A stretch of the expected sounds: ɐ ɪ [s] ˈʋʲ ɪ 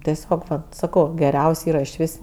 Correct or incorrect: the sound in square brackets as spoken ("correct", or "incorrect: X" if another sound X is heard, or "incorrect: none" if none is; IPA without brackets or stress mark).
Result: incorrect: ʃ